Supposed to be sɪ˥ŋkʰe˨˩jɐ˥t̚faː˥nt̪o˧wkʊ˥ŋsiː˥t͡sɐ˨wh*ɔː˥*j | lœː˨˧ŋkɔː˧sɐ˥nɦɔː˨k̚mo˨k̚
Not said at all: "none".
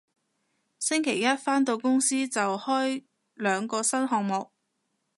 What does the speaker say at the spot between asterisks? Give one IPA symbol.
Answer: ɔː˥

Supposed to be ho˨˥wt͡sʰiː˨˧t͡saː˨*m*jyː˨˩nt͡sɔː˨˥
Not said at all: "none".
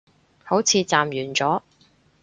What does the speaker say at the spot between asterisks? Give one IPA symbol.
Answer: m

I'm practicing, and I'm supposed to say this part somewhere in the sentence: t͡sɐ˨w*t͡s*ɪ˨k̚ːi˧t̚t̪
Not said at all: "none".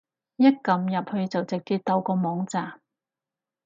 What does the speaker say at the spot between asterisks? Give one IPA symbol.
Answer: t͡s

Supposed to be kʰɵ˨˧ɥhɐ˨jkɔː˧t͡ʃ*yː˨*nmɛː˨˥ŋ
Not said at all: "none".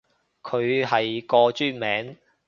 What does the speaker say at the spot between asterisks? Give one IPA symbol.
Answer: yː˥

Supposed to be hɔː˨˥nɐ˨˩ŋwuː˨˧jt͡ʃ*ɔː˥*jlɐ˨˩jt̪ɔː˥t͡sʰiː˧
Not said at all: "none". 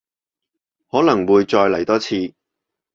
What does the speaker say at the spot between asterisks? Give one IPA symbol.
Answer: ɔː˧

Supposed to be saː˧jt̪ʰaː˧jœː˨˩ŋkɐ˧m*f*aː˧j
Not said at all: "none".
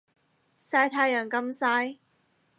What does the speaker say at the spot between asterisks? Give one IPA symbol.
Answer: s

